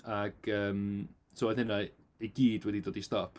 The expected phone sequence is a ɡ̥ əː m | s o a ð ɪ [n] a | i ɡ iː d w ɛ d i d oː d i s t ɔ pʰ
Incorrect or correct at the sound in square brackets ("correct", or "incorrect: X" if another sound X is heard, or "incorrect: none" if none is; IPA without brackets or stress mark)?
correct